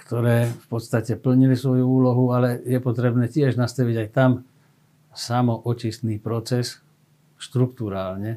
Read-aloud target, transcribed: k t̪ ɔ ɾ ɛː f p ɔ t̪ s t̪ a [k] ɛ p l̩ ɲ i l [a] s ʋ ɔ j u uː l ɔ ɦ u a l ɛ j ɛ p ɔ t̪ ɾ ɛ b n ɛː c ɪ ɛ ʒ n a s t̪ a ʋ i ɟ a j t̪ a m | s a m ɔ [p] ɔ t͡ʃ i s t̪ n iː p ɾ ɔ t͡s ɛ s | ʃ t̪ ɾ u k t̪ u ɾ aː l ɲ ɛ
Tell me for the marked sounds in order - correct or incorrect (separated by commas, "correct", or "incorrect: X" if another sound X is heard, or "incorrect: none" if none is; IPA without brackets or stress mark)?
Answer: incorrect: c, incorrect: i, incorrect: ʔ